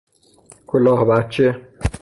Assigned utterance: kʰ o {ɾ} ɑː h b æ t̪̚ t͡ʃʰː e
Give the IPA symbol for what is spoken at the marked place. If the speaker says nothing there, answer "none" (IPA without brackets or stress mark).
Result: l